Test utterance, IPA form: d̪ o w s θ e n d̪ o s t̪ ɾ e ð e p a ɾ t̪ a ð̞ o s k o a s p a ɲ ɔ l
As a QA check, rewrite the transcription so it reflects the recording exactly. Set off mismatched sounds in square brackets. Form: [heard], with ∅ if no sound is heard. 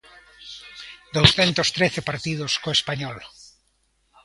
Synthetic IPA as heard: d̪ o w s θ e n [t̪] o s t̪ ɾ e [θ] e p a ɾ t̪ [i] ð̞ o s k o [e] s p a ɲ ɔ l